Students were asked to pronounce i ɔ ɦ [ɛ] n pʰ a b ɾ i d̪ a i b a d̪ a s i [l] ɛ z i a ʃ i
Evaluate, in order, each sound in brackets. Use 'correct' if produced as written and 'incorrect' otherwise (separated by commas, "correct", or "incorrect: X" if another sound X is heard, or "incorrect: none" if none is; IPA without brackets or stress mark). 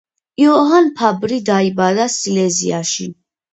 incorrect: a, correct